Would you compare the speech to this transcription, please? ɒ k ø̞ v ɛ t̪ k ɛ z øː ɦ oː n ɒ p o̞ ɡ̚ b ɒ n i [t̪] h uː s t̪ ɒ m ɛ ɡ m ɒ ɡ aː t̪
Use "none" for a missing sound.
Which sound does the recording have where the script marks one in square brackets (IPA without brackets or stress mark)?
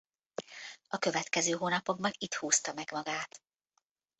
t̪